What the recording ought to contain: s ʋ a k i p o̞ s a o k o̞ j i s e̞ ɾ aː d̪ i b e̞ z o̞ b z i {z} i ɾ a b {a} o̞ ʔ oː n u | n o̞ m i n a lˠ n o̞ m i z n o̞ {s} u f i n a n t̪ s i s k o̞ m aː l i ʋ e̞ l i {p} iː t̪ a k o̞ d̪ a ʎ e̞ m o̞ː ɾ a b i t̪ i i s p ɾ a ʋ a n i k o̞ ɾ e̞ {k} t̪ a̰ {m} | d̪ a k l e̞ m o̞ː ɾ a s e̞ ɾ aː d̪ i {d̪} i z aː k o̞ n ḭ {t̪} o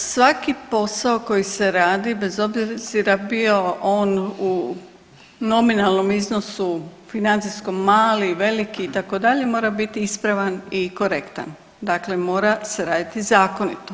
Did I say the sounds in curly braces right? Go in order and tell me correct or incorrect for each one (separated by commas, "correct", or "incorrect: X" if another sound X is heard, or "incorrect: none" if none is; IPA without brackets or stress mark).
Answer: correct, incorrect: i, correct, incorrect: k, correct, incorrect: n, incorrect: t̪, correct